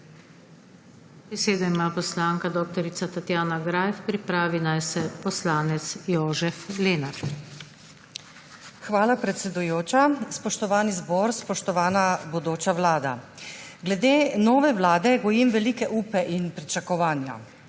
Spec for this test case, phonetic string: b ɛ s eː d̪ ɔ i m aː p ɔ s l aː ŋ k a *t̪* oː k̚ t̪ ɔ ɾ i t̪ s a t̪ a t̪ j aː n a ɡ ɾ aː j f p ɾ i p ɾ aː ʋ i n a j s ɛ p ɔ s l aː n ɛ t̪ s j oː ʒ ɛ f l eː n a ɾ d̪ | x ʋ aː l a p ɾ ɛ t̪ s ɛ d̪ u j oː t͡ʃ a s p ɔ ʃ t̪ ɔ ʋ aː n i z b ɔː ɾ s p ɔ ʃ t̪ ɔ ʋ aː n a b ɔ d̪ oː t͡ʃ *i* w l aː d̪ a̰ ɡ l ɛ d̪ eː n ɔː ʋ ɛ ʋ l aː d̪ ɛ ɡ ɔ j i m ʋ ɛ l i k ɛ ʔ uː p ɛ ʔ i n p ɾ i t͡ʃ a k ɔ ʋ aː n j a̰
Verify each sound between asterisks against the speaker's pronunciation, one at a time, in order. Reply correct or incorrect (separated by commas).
incorrect, incorrect